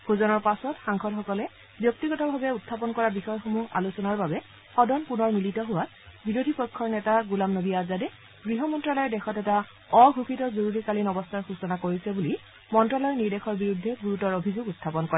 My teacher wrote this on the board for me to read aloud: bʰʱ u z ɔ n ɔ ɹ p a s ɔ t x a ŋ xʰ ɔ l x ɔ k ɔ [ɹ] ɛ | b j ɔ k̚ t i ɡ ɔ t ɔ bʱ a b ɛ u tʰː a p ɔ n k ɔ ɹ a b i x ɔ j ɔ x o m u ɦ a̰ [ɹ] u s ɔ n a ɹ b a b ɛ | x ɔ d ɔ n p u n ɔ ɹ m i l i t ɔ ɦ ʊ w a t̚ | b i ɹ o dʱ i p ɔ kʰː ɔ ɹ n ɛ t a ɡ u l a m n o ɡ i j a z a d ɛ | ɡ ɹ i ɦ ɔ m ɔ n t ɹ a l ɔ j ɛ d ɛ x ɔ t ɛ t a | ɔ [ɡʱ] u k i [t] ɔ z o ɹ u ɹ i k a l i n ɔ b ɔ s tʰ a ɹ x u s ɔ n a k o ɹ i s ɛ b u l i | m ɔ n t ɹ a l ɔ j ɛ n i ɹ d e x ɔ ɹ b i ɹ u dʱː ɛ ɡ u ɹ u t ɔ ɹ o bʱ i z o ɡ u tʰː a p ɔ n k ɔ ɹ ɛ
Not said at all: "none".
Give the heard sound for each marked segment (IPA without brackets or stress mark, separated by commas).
l, l, ɡʱ, t